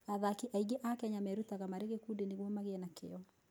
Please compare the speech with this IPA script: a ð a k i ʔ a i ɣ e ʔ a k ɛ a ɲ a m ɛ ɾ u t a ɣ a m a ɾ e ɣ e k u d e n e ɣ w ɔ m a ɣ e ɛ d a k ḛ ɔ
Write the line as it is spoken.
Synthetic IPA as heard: a ð a k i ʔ a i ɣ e ʔ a k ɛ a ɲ a m ɛ ɾ u t a ɣ a m a ɾ e ɣ e k u d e n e ɣ w ɔ m a ɣ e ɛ n a k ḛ ɔ